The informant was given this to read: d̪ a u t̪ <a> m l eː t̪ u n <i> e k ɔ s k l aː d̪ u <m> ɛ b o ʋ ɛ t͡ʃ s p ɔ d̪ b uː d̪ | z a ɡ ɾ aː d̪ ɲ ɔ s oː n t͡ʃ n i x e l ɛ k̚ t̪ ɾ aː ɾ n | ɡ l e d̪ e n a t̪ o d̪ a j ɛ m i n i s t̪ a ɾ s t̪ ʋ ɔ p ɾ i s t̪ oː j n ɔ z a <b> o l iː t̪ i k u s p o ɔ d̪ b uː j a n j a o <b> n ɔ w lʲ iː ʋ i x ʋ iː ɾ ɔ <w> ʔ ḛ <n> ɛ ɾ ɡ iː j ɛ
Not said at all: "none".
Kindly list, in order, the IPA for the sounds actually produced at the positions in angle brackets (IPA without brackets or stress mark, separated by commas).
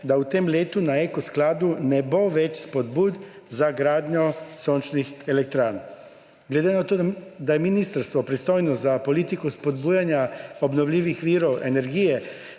e, a, n, p, b, w, n